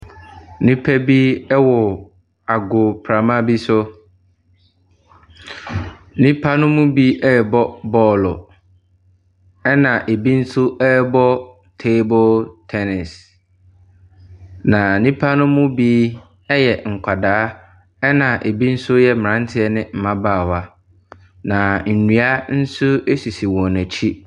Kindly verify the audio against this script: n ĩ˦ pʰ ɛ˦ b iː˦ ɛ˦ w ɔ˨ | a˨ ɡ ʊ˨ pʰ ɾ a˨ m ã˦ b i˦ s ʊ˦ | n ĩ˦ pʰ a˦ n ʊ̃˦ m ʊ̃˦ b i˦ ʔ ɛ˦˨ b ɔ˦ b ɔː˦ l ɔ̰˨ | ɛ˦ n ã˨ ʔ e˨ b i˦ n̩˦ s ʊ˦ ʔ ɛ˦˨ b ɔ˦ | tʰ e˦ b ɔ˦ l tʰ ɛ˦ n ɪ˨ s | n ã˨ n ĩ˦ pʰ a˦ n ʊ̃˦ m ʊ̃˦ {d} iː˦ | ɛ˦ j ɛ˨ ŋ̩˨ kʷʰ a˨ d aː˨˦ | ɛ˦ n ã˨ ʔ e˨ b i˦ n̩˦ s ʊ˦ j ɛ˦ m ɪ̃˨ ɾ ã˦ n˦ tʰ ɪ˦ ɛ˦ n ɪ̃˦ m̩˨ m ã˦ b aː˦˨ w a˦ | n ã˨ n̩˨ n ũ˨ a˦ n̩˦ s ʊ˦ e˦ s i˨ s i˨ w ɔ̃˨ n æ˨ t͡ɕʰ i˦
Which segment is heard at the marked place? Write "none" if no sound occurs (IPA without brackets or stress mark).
b